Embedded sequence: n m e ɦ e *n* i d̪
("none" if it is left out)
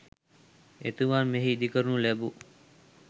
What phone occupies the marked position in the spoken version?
none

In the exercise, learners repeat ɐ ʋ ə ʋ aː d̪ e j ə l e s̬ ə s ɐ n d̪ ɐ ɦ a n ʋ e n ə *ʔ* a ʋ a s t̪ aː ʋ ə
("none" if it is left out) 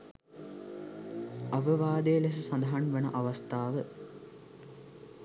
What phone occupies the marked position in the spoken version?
ʔ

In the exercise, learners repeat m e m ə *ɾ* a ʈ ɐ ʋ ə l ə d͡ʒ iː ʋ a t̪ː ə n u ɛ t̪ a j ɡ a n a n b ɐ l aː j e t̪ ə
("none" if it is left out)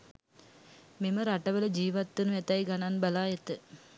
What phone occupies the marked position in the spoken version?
ɾ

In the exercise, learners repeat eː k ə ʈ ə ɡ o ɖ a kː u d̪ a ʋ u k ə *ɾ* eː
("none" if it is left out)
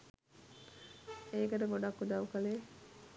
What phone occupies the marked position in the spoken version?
l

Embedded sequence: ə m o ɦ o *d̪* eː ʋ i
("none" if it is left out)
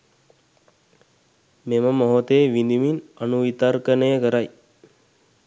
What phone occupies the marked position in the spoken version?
t̪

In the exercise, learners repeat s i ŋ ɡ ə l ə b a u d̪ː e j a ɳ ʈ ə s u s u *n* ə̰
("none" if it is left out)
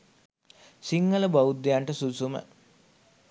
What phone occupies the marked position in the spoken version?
m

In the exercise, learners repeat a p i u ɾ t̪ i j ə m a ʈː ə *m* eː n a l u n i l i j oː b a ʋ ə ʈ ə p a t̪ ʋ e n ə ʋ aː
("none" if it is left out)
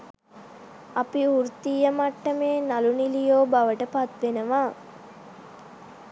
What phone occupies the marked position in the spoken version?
m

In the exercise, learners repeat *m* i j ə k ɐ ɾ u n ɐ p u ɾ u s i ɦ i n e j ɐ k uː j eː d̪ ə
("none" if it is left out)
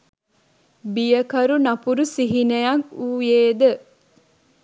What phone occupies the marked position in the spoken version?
b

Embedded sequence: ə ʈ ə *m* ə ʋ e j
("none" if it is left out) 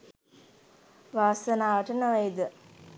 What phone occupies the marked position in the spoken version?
n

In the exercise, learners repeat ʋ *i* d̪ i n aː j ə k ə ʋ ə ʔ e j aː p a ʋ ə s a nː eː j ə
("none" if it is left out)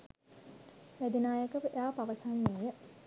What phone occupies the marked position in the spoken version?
æ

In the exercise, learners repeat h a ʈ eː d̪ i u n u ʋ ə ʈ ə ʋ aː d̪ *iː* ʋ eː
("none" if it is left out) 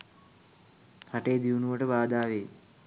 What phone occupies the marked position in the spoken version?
aː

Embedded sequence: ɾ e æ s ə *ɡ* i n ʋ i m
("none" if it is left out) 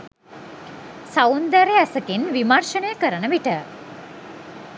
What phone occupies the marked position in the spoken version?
k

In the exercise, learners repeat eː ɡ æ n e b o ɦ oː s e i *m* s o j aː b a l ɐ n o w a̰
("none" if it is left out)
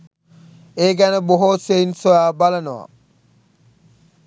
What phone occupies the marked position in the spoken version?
n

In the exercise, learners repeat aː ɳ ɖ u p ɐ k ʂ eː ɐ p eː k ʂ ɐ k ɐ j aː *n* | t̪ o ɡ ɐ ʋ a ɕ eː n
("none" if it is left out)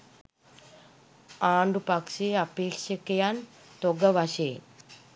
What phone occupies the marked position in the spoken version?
n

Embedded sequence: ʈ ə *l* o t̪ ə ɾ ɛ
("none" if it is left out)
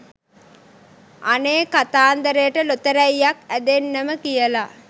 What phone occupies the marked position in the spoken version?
l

